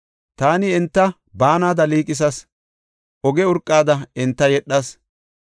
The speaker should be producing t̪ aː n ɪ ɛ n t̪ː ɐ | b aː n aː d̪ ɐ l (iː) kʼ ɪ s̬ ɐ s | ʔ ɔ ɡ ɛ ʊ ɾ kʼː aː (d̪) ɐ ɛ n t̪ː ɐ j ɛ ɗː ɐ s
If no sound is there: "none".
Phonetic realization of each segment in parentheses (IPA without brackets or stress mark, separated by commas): iː, d̪